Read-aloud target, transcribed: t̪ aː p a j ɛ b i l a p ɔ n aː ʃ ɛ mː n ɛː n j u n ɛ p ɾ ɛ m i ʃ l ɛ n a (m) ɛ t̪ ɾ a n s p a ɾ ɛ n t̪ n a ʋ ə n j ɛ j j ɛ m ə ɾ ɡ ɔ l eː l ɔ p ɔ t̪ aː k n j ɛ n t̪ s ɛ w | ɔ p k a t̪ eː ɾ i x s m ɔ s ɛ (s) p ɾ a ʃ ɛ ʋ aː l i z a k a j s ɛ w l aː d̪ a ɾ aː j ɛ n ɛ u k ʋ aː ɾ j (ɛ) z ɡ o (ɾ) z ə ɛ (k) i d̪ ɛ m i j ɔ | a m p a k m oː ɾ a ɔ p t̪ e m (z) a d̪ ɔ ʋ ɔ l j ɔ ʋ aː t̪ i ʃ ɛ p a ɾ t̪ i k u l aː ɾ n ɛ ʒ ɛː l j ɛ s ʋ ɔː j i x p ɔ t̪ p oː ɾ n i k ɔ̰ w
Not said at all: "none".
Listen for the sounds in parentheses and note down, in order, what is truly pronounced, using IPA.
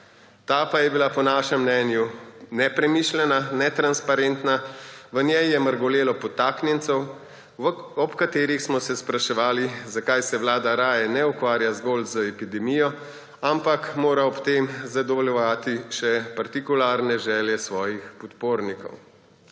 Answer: n, s, a, l, p, z

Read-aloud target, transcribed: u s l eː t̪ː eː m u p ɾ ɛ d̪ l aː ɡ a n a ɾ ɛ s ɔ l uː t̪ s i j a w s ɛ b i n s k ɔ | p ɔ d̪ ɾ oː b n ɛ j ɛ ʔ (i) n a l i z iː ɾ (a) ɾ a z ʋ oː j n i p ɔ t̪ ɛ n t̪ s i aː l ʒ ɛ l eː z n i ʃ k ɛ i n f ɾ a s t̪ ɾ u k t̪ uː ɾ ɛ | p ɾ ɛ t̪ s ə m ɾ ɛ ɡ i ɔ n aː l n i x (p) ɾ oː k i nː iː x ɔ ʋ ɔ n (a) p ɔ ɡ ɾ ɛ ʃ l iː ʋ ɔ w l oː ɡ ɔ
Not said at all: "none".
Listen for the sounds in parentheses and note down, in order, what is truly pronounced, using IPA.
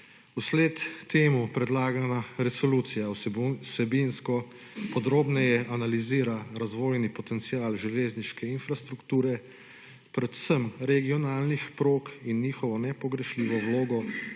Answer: a, a, p, ɛ

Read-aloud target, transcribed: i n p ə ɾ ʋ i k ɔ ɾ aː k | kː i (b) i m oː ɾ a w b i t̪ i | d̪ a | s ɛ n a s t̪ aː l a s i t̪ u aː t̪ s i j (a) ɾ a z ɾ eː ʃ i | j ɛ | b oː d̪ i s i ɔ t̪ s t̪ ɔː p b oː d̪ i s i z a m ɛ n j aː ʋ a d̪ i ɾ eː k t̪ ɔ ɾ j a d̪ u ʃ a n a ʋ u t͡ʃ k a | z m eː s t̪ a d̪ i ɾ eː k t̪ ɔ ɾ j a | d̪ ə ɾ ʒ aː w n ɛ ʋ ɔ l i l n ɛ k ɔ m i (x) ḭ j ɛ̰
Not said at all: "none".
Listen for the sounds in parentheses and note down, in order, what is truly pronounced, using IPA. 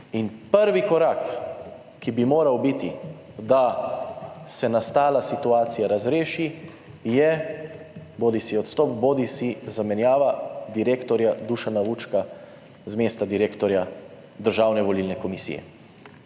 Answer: b, a, s

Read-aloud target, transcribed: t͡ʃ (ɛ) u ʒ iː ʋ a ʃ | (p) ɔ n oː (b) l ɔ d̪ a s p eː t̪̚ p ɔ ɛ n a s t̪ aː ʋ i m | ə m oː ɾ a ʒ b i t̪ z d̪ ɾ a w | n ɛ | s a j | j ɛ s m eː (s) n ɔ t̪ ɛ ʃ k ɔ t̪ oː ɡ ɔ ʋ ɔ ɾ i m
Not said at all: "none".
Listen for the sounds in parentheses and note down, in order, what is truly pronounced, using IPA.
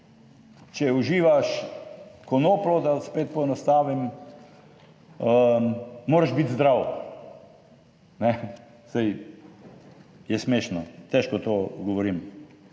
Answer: ɛ, k, p, ʃ

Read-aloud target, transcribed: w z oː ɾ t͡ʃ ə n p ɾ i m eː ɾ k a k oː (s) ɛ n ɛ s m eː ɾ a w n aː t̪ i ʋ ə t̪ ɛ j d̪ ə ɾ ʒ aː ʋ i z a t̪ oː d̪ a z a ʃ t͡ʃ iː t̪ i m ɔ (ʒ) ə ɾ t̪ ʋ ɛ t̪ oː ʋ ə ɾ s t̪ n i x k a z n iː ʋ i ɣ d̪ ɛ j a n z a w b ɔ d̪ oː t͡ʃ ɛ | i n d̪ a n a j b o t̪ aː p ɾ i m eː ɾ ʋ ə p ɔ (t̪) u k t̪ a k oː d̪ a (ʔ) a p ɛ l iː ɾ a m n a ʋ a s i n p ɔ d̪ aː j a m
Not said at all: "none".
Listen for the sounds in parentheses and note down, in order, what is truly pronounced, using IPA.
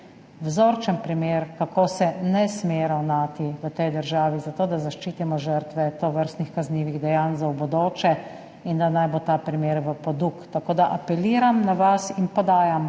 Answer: s, ʒ, d̪, ʔ

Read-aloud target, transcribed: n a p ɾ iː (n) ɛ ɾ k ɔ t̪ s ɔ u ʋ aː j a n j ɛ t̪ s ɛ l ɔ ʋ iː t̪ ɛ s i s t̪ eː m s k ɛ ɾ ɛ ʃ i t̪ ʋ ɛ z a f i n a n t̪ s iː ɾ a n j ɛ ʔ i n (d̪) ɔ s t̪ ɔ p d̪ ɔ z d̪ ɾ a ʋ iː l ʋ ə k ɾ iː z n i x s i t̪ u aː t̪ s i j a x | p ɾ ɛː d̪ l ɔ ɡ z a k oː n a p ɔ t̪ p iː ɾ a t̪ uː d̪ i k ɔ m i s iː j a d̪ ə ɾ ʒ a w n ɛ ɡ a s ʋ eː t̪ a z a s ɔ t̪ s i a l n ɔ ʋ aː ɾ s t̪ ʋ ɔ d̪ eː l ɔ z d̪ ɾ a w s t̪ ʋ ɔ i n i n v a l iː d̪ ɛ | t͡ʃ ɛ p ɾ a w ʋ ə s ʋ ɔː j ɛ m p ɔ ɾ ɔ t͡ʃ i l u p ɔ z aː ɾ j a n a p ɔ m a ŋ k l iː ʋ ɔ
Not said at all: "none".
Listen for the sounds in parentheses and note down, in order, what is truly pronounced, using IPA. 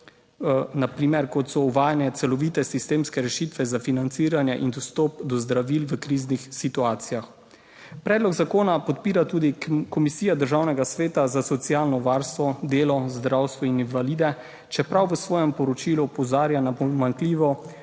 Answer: m, d̪

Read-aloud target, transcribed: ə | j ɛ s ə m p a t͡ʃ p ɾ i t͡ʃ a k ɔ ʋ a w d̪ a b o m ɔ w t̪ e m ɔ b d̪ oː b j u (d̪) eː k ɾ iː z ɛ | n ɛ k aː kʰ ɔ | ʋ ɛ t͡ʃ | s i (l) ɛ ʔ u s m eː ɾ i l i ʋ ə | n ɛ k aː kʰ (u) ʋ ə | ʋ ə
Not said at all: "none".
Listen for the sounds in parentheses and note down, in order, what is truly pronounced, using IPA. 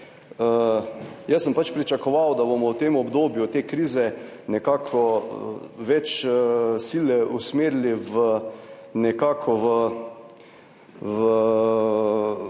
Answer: t̪, l, ɔ

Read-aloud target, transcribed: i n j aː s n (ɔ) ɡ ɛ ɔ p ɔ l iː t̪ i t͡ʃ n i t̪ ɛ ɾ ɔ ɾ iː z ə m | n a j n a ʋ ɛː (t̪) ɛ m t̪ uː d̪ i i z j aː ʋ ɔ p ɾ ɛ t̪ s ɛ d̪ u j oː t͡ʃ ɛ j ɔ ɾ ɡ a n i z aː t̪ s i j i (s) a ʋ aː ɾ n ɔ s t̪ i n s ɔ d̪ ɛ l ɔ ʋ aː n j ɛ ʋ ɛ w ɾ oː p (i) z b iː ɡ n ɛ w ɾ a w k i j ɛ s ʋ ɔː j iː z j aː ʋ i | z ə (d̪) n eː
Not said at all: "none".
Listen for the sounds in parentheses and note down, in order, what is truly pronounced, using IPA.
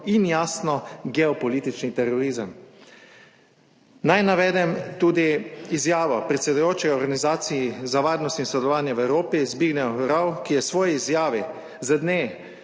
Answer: ɔ, d̪, z, i, d̪

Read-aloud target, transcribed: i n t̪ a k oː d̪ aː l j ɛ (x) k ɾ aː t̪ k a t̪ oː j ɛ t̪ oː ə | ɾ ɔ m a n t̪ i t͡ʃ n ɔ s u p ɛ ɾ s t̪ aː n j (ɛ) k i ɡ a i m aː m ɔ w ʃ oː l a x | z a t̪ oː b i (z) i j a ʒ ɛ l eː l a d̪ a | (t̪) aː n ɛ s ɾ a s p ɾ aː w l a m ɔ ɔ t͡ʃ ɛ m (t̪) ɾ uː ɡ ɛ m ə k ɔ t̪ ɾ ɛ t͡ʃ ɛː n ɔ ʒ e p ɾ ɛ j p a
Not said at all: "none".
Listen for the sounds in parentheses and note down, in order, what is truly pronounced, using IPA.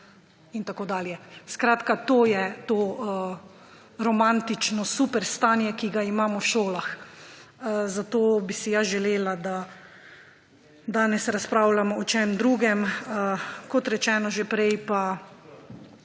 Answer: s, ɛ, s, d̪, d̪

